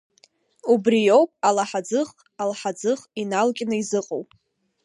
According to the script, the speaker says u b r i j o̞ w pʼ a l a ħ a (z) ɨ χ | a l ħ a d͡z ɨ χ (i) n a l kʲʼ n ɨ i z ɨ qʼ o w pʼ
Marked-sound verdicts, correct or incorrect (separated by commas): incorrect, correct